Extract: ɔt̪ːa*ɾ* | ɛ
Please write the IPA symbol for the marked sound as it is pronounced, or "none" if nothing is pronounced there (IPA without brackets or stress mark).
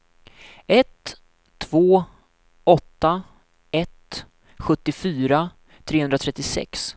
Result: none